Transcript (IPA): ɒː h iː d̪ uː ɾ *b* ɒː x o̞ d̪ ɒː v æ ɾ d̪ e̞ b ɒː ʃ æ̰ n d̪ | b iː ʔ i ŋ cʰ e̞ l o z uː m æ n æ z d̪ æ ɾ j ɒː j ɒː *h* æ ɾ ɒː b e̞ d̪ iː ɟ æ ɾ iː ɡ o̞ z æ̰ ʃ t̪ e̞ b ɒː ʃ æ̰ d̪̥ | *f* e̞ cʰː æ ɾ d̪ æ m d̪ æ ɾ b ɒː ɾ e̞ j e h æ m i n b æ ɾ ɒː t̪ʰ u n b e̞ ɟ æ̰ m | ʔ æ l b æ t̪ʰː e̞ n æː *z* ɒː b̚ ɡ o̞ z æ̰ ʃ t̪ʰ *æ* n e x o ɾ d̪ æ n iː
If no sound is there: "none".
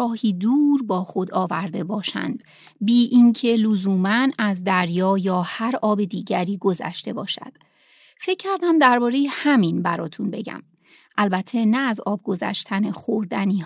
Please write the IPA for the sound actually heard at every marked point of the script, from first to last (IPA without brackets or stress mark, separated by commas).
b, h, f, z, æ